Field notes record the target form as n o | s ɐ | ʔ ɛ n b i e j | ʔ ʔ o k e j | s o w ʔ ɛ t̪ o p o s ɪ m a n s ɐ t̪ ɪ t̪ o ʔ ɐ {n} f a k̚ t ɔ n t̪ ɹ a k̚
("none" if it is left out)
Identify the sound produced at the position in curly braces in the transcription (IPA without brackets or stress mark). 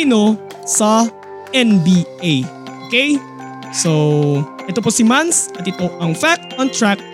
ŋ